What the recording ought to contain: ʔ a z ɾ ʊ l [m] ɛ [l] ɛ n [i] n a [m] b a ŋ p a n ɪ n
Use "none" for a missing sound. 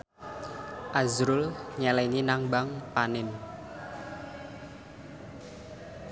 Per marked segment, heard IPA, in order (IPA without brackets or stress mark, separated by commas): ɲ, l, i, ŋ